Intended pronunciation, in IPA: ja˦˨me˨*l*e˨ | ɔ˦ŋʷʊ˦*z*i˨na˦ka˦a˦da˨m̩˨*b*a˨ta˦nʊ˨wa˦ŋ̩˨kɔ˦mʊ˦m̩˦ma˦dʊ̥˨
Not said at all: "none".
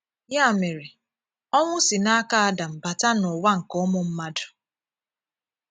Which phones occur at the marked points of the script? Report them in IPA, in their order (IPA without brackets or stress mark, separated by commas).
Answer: ɾ, s, b